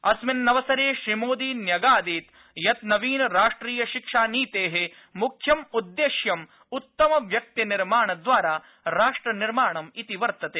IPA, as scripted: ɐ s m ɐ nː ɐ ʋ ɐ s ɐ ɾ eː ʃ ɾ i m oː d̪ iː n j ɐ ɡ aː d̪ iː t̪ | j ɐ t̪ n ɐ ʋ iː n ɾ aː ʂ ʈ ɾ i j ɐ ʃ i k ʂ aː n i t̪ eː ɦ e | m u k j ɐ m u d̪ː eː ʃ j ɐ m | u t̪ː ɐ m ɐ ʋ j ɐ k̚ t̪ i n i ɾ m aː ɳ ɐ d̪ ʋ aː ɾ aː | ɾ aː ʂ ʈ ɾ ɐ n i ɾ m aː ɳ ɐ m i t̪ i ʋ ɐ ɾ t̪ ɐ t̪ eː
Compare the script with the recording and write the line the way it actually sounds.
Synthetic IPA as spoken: ɐ s m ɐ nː ɐ ʋ ɐ s ɐ ɾ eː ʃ ɾ i m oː d̪ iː n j ɐ ɡ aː d̪ iː t̪ | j ɐ t̪ n ɐ ʋ iː n ɾ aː ʂ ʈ ɾ iː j ɐ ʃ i k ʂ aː n iː t̪ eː ɦ e | m u kʰ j ɐ m u d̪ː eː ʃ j ɐ m | u t̪ː ɐ m ɐ ʋ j ɐ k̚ t̪ i n i ɾ m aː ɳ ɐ d̪ ʋ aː ɾ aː | ɾ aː ʂ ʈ ɾ ɐ n i ɾ m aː ɳ ɐ m i t̪ i ʋ ɐ ɾ t̪ ɐ t̪ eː

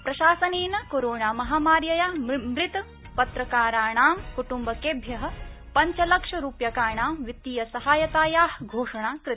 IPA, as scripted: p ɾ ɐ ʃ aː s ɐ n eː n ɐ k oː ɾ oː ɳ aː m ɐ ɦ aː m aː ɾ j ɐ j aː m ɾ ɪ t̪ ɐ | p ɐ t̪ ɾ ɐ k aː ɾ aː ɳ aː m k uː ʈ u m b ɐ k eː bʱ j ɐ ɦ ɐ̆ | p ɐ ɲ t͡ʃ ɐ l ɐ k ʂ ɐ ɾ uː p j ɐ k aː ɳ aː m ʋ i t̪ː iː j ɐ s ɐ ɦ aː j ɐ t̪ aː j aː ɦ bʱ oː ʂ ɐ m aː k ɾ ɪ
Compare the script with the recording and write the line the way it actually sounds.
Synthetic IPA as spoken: p ɾ ɐ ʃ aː s ɐ n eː n ɐ k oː ɾ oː ɳ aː m ɐ ɦ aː m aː ɾ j ɐ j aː m ɾ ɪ t̪ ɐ | p ɐ t̪ ɾ ɐ k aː ɾ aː ɳ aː m k u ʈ u m b ɐ k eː bʱ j ɐ ɦ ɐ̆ | p ɐ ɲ t͡ʃ ɐ l ɐ k ʂ ɐ ɾ uː p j ɐ k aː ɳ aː m ʋ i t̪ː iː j ɐ s ɐ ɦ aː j ɐ t̪ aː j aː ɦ ɡʱ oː ʂ ɐ ɳ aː k ɾ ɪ

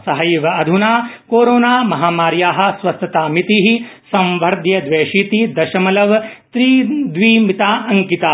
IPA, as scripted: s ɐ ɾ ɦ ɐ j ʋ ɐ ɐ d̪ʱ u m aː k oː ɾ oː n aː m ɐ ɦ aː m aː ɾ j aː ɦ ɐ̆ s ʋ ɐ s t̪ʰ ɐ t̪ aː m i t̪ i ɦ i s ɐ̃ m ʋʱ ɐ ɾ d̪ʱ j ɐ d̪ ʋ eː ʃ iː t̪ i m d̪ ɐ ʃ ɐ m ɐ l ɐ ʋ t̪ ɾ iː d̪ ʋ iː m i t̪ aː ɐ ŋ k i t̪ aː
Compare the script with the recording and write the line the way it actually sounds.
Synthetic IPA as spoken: s ɐ ɦ ɐ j ʋ ɐ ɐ d̪ʱ u n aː k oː ɾ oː n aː m ɐ ɦ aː m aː ɾ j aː ɦ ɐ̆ s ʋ ɐ s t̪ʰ ɐ t̪ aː m i t̪ i ɦ i s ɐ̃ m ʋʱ ɐ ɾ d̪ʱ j ɐ d̪ ʋ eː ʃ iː t̪ i d̪ ɐ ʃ ɐ m ɐ l ɐ ʋ t̪ ɾ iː d̪ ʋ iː m i t̪ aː ɐ ŋ k i t̪ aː

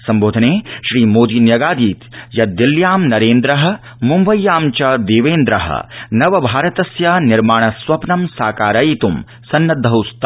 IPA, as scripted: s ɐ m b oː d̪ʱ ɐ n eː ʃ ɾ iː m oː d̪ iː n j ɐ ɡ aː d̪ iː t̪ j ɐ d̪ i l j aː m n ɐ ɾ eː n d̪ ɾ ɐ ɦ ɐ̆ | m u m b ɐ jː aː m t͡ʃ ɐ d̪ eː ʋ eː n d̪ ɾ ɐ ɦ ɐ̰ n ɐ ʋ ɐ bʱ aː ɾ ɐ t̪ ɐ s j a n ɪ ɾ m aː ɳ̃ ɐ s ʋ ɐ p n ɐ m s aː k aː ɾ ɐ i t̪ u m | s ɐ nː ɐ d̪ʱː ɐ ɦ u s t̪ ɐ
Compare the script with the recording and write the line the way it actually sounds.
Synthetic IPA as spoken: s ɐ m b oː d̪ʱ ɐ n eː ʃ ɾ iː m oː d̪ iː n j ɐ ɡ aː d̪ iː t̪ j ɐ d̪ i l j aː m n ɐ ɾ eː n d̪ ɾ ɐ ɦ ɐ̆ | m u m b ɐ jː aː m t͡ʃ ɐ d̪ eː ʋ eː n d̪ ɾ ɐ ɦ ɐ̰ n ɐ ʋ ɐ bʱ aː ɾ ɐ t̪ ɐ s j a n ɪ ɾ m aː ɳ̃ ɐ s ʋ ɐ p n ɐ m s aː k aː ɾ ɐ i t̪ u m | s ɐ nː ɐ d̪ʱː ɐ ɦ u s t̪ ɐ

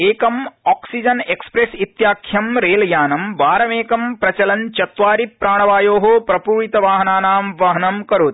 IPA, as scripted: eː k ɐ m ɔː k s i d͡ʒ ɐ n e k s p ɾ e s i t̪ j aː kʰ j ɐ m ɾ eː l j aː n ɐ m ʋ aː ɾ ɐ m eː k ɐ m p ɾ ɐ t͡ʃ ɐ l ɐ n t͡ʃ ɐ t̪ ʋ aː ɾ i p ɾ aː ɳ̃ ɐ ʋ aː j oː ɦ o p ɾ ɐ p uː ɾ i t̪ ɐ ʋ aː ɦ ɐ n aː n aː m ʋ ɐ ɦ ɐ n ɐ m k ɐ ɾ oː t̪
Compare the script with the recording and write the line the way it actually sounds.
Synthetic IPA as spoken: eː k ɐ m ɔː k s i d͡ʒ ɐ n e k s p ɾ e s i t̪ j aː kʰ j ɐ m ɾ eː l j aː n ɐ m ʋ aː ɾ ɐ m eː k ɐ m p ɾ ɐ t͡ʃ ɐ l ɐ n t͡ʃ ɐ t̪ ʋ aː ɾ i p ɾ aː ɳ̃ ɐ ʋ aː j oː ɦ o p ɾ ɐ p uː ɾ i t̪ ɐ ʋ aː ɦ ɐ n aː n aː m ʋ ɐ ɦ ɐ n ɐ m k ɐ ɾ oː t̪

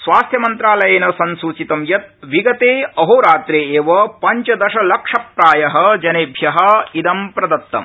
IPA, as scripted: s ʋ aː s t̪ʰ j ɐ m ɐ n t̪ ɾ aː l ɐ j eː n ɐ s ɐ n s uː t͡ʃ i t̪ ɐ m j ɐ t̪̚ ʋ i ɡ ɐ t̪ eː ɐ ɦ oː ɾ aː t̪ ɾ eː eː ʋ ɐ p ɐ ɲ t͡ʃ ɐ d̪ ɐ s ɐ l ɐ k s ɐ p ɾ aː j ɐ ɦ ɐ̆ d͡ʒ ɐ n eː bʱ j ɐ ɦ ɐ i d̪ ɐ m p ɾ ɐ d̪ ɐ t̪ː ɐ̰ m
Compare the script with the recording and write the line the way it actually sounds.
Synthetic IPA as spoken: s ʋ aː s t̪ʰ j ɐ m ɐ n t̪ ɾ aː l ɐ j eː n ɐ s ɐ n s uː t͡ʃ i t̪ ɐ m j ɐ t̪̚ ʋ i ɡ ɐ t̪ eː ɐ ɦ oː ɾ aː t̪ ɾ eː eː ʋ ɐ p ɐ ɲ t͡ʃ ɐ d̪ ɐ ʃ ɐ l ɐ k ʂ ɐ p ɾ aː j ɐ ɦ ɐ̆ d͡ʒ ɐ n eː bʱ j ɐ ɦ ɐ i d̪ ɐ m p ɾ ɐ d̪ ɐ t̪ː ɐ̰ m

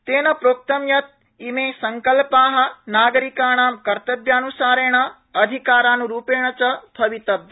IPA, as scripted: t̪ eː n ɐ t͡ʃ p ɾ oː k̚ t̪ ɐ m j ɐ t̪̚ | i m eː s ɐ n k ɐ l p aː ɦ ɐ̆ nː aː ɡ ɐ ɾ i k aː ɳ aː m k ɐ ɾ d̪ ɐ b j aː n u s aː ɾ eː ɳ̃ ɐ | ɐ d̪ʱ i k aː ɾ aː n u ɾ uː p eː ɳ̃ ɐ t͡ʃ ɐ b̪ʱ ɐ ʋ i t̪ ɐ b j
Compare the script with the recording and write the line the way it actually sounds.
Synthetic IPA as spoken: t̪ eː n ɐ p ɾ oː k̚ t̪ ɐ m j ɐ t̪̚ | i m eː s ɐ ŋ k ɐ l p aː ɦ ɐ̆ n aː ɡ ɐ ɾ i k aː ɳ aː m k ɐ ɾ t̪ ɐ b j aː n u s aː ɾ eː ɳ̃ ɐ | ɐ d̪ʱ i k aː ɾ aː n u ɾ uː p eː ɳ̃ ɐ t͡ʃ ɐ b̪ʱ ɐ ʋ i t̪ ɐ b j

